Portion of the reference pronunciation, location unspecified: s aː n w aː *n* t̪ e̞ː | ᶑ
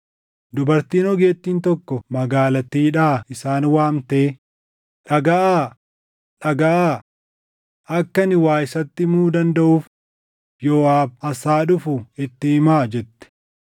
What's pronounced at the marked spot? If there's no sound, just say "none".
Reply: m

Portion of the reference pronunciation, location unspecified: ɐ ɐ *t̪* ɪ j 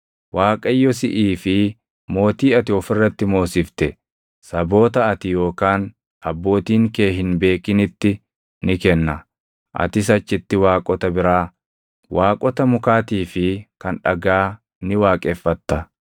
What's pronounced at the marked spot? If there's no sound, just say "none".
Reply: t̪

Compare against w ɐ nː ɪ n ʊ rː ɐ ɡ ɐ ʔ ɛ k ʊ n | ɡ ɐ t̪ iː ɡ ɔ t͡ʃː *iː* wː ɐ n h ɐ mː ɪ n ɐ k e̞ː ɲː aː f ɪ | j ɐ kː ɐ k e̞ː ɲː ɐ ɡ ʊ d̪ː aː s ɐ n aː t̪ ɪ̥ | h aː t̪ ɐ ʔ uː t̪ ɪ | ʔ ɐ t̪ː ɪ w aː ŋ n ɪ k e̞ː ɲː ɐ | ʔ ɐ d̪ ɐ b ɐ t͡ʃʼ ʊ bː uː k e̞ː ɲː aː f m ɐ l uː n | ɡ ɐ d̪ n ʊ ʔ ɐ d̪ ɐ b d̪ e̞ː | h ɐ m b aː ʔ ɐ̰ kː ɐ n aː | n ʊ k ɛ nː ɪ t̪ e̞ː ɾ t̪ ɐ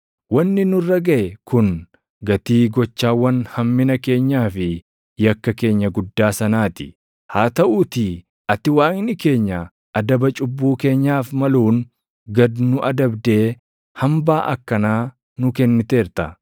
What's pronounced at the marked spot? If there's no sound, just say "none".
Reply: aː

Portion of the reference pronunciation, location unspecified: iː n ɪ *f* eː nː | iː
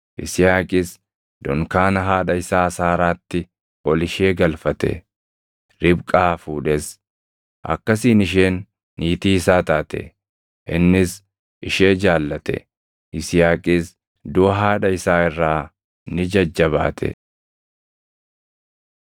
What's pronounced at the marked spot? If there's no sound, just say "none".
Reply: ʃ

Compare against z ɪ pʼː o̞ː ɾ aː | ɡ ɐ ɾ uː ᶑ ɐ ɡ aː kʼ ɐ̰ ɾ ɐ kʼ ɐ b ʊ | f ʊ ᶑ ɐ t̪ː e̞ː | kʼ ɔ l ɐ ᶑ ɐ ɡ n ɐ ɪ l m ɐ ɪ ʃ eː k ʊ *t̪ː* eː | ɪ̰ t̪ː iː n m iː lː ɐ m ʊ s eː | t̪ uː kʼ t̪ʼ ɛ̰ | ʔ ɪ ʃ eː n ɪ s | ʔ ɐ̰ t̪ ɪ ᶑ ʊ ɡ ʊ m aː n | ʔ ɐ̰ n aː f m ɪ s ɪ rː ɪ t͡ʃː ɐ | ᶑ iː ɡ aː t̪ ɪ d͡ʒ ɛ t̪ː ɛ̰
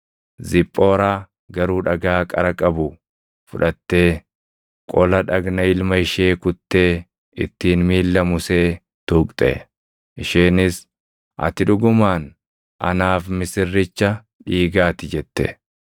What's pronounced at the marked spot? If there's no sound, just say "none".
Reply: t̪ː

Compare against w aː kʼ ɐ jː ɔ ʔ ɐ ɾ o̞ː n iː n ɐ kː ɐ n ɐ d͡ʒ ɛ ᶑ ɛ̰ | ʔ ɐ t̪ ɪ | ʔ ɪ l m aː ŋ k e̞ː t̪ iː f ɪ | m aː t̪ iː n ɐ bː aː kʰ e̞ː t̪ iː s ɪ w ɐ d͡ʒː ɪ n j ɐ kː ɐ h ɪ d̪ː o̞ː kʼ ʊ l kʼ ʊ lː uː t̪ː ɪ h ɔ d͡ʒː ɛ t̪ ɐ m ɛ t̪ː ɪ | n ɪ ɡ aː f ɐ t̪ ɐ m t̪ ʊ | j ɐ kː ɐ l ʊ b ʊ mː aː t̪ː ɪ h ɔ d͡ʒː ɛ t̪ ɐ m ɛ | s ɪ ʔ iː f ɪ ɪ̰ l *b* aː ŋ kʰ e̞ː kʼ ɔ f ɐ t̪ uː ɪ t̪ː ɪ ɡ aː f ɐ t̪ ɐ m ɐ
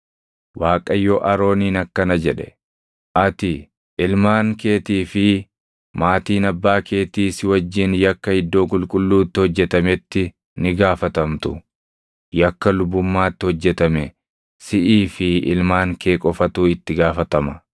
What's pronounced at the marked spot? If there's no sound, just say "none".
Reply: m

